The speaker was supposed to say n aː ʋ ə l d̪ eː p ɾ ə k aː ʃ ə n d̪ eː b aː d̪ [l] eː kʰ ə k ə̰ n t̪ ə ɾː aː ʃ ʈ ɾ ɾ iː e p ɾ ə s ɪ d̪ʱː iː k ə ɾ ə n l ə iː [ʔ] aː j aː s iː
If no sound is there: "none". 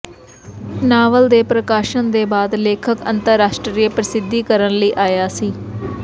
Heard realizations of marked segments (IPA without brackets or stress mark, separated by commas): l, ʔ